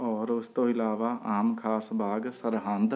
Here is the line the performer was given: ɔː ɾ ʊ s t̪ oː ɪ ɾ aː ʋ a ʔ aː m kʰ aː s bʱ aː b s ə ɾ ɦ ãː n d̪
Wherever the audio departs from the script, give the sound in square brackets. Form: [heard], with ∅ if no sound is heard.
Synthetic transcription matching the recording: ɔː ɾ ʊ s t̪ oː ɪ [l] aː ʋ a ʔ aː m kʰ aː s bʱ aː [ɡ] s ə ɾ ɦ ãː n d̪